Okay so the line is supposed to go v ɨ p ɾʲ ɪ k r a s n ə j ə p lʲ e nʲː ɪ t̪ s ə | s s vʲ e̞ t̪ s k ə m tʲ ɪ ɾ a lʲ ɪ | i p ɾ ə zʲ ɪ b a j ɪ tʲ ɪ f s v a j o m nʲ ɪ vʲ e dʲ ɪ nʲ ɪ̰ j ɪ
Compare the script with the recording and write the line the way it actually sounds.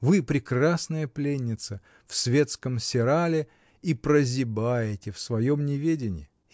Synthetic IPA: v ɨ p ɾʲ ɪ k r a s n ə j ə p lʲ e nʲː ɪ t̪ s ə | f s vʲ e̞ t̪ s k ə m sʲ ɪ ɾ a lʲ ɪ | i p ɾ ə zʲ ɪ b a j ɪ tʲ ɪ f s v ɐ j o m nʲ ɪ vʲ e dʲ ɪ nʲ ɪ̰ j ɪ